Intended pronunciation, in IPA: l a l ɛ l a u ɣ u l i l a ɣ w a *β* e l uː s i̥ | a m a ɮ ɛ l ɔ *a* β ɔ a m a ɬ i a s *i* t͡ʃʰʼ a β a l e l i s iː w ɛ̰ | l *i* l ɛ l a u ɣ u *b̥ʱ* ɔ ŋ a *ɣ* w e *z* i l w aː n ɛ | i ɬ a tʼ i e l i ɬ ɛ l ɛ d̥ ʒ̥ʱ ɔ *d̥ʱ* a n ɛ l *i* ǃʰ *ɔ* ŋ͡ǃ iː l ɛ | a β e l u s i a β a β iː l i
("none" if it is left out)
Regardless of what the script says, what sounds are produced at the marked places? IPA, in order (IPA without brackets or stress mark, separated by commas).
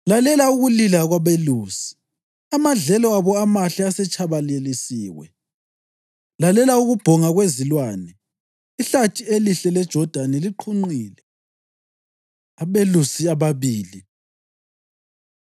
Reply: β, a, ɛ, a, b̥ʱ, ɣ, z, d̥ʱ, i, u